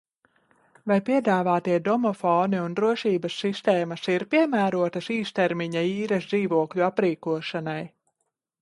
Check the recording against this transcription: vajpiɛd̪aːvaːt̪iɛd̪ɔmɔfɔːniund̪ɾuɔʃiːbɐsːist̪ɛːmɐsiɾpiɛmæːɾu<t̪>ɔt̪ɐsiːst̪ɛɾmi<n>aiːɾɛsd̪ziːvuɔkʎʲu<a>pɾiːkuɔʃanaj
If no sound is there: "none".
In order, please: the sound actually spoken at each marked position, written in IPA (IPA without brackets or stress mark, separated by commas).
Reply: none, ɲ, a